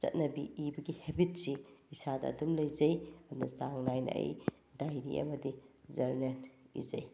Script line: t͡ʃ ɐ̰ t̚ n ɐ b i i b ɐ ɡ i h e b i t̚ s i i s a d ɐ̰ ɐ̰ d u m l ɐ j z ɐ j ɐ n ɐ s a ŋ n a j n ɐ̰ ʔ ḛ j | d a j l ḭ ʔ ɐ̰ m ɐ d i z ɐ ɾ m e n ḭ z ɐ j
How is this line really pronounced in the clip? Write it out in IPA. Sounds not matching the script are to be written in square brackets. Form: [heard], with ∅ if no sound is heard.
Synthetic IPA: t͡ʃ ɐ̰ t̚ n ɐ b i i b ɐ ɡ i h e b i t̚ s i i s a d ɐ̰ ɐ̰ d u m l ɐ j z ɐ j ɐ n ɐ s a ŋ n a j n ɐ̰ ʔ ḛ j | d a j [ɾ] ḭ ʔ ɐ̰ m ɐ d i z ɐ ɾ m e n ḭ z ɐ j